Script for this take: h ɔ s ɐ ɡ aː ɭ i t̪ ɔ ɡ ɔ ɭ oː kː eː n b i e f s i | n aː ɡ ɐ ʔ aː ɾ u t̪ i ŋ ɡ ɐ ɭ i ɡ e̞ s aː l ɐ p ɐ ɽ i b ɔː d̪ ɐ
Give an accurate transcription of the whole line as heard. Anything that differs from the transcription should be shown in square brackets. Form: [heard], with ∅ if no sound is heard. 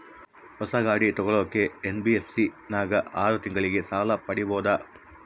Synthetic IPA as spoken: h ɔ s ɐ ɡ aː [ɽ] i t̪ ɔ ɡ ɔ ɭ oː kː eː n b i e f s i | n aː ɡ ɐ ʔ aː ɾ u t̪ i ŋ ɡ ɐ ɭ i ɡ e̞ s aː l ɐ p ɐ ɽ i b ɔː d̪ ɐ